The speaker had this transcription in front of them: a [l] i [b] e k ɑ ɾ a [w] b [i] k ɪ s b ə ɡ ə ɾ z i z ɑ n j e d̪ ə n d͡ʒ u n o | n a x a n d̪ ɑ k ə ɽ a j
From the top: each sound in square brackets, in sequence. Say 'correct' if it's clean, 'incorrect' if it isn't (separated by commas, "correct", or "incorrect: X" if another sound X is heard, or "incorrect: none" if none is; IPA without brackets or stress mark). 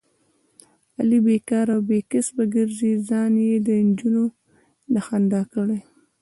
correct, correct, correct, incorrect: e